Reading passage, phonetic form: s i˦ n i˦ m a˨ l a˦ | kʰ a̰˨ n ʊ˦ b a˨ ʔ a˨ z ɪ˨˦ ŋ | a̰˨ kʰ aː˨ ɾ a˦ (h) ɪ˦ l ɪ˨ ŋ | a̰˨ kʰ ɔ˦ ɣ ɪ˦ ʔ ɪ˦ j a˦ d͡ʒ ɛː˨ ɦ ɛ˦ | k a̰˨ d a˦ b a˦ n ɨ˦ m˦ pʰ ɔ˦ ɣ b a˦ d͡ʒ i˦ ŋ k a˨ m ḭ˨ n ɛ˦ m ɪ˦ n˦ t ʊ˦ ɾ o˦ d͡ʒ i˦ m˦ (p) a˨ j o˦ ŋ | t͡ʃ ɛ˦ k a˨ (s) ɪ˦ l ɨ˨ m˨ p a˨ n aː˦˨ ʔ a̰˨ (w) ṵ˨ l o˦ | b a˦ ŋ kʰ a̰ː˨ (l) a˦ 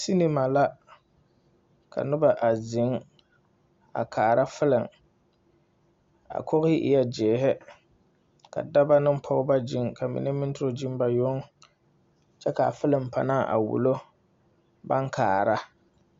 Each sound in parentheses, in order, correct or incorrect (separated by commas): incorrect, incorrect, incorrect, correct, incorrect